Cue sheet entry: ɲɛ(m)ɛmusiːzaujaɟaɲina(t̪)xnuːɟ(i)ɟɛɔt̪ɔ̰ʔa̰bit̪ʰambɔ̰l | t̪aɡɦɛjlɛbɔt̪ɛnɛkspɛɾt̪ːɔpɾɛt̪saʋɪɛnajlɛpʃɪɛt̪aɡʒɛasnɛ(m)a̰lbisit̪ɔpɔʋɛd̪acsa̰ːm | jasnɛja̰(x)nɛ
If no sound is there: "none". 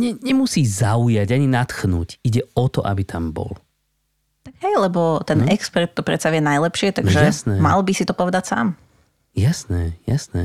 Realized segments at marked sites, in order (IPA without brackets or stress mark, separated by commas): ɲ, t̪, i, m, s